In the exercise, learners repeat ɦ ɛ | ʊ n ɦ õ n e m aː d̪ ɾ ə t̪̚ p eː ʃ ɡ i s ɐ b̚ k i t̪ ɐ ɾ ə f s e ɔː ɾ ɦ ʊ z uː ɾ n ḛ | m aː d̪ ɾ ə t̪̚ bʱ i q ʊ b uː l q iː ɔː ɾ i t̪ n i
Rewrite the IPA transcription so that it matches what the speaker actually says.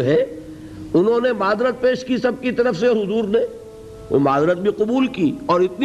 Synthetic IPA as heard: ɦ ɛ | ʊ n ɦ õ n e m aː d̪ ɾ ə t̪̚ p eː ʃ k i s ɐ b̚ k i t̪ ɐ ɾ ə f s e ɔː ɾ ɦ ʊ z uː ɾ n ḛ | m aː d̪ ɾ ə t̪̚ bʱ i q ʊ b uː l k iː ɔː ɾ ɪ t̪ n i